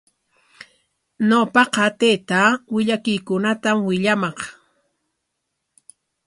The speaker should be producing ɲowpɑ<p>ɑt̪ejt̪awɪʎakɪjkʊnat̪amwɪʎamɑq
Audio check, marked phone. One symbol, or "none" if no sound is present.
q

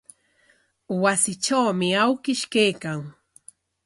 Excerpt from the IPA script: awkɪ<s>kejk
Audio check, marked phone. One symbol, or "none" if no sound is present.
ʃ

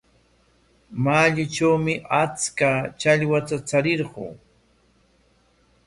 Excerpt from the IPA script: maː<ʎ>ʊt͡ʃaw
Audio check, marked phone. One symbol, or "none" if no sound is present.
ʎ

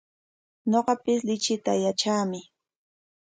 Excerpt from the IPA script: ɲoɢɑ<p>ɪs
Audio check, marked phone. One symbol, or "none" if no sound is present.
p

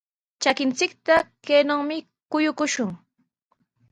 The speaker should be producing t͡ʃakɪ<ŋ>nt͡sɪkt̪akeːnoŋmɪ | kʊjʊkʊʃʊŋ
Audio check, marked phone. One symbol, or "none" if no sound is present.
none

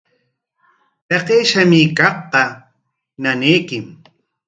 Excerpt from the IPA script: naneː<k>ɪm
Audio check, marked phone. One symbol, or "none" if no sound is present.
k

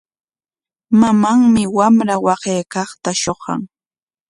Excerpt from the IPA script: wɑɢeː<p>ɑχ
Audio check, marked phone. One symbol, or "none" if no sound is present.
k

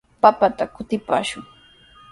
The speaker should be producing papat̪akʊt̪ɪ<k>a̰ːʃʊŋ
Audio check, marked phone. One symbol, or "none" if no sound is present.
p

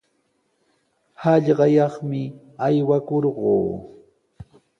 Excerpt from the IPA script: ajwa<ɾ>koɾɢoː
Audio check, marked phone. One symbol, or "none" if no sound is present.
none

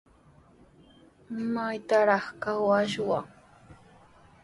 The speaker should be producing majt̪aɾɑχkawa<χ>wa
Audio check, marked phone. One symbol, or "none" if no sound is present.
ʃ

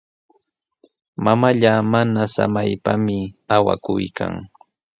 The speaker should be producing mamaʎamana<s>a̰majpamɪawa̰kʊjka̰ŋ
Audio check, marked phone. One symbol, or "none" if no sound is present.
s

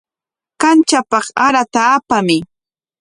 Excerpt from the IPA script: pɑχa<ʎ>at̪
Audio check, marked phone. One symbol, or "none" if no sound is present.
ɾ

